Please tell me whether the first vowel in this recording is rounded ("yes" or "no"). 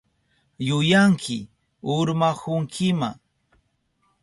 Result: yes